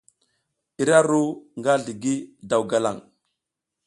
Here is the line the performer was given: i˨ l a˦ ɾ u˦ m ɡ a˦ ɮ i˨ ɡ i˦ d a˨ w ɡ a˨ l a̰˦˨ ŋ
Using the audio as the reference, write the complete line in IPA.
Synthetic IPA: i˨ ɾ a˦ ɾ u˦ ŋ ɡ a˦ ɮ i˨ ɡ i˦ d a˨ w ɡ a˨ l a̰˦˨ ŋ